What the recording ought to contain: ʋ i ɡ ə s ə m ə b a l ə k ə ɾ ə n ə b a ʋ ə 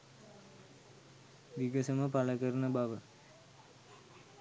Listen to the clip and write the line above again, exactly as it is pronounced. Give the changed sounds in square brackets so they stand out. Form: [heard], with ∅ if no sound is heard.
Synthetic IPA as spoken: ʋ i ɡ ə s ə m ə [p] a l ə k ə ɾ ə n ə b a ʋ ə